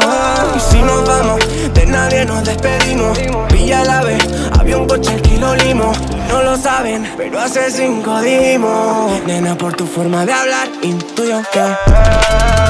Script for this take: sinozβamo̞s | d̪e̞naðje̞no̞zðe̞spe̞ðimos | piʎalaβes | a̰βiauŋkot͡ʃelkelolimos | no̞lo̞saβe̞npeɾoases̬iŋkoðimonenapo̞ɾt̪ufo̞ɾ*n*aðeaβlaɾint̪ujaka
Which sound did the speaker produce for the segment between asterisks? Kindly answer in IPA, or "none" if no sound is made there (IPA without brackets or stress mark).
m